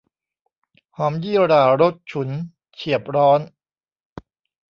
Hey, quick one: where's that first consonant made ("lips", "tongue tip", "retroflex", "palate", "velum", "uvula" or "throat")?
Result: throat